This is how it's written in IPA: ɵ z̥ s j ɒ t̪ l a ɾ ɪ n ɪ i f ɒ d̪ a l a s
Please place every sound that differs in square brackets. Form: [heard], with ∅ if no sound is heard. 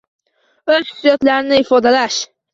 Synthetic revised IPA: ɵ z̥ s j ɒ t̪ l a ɾ ɪ n ɪ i f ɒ d̪ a l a [ʃ]